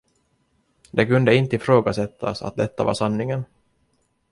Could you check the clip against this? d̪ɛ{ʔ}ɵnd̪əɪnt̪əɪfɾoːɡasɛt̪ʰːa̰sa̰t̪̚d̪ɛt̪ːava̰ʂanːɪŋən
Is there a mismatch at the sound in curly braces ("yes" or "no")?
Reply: yes